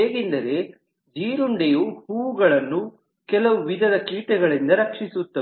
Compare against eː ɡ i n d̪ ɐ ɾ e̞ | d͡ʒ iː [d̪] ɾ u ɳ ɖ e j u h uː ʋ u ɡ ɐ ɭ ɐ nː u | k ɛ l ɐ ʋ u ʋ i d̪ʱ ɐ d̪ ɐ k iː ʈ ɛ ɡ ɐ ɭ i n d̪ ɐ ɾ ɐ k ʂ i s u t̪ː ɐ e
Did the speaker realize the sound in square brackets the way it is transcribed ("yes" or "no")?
no